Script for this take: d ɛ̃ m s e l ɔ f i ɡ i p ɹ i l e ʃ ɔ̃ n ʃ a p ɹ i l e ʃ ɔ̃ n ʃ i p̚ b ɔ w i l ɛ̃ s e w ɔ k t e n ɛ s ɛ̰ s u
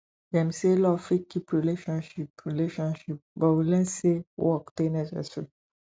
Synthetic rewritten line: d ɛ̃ m s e l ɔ f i k i p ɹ i l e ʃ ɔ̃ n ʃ i p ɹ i l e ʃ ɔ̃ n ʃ i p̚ b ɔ w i l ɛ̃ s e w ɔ k t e n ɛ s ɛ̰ s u